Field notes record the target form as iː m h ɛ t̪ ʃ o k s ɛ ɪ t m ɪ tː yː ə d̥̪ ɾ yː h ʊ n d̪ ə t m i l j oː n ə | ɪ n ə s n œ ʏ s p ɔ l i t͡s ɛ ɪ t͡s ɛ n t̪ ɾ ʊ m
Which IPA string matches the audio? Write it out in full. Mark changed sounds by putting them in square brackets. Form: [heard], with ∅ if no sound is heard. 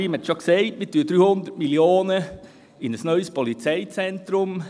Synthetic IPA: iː m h ɛ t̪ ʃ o k s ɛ ɪ t m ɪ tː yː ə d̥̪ ɾ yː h ʊ n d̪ ə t m i l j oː n ə | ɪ n ə s n œ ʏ s p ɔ l i t͡s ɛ ɪ t͡s ɛ n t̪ ɾ ʊ m